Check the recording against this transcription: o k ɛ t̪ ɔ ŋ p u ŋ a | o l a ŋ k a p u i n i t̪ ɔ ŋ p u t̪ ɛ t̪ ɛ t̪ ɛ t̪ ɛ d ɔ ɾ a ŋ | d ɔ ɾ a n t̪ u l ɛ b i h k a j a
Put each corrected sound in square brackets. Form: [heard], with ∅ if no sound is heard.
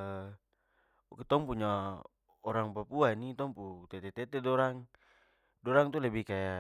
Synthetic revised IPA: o k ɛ t̪ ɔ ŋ p u [ɲ] a | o [ɾ] a ŋ [p] a p u [a] n i t̪ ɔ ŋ p u t̪ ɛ t̪ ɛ t̪ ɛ t̪ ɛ d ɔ ɾ a ŋ | d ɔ ɾ a [ŋ] t̪ u l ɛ b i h k a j a